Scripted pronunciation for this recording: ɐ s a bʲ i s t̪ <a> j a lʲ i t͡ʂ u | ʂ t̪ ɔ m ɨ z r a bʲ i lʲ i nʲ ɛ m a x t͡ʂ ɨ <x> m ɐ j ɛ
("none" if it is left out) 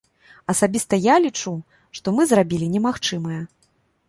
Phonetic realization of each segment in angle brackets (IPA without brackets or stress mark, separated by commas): ɐ, none